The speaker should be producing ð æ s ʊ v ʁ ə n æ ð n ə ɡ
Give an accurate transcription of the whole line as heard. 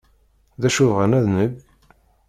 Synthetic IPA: ð æ ʃ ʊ v ʁ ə n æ ð n ə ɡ